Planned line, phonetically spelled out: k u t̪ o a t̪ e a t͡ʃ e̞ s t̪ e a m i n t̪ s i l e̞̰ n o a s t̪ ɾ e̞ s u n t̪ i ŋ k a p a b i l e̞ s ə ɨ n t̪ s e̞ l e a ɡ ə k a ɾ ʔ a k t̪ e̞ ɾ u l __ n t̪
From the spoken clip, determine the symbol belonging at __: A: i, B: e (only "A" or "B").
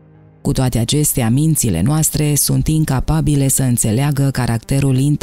A